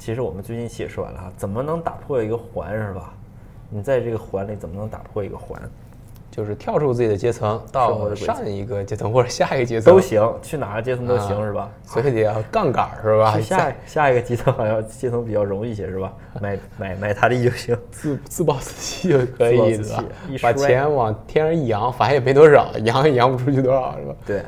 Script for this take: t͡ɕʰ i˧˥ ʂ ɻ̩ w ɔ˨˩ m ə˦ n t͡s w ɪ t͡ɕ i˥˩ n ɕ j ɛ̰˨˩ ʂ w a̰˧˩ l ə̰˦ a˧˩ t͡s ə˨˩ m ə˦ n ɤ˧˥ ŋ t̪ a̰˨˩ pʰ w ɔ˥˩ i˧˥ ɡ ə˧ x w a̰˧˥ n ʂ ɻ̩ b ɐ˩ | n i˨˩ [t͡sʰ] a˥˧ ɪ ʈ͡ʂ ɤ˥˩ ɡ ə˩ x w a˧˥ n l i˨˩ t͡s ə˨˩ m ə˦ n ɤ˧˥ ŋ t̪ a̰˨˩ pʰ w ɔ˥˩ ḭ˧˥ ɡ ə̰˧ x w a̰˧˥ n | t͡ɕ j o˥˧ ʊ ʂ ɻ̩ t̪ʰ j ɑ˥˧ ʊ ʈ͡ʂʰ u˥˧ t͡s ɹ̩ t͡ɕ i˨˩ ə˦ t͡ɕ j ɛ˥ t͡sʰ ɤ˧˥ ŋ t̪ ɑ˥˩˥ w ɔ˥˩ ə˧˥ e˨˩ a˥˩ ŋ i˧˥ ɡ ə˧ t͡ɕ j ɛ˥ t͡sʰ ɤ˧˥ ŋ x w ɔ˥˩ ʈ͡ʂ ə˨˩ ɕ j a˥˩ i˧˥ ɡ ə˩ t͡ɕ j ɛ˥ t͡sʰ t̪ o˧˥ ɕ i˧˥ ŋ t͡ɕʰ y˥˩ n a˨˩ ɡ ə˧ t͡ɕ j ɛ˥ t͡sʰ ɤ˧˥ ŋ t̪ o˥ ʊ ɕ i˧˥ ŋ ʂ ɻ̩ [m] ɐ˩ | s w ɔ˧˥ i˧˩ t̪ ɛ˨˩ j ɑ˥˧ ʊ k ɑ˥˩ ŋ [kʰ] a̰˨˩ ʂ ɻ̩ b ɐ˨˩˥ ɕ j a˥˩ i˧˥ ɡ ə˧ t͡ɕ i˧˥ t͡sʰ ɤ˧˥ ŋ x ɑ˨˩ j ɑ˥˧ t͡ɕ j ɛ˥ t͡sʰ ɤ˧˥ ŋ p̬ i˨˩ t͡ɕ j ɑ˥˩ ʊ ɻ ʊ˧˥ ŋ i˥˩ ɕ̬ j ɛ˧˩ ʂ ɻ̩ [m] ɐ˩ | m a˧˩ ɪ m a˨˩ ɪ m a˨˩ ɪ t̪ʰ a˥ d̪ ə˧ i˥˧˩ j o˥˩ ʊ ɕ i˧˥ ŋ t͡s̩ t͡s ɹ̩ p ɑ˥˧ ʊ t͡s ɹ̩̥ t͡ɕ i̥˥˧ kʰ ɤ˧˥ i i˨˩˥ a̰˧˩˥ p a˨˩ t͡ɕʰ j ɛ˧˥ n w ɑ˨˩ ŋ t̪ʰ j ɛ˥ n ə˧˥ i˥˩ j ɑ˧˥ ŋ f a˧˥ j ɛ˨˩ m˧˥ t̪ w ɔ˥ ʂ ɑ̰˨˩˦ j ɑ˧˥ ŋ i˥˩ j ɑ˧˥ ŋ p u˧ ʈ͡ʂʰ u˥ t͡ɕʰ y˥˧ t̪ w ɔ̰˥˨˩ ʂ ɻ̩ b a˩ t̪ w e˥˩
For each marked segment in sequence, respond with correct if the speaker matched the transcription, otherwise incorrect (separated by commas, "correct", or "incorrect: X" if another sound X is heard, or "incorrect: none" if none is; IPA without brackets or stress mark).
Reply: incorrect: t͡s, incorrect: b, incorrect: k, incorrect: b